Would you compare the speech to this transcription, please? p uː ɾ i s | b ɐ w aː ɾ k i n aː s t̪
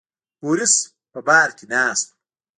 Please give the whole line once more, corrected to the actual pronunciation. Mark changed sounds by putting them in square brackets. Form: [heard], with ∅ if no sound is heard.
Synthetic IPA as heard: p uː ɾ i s | [p] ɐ [b] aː ɾ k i n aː s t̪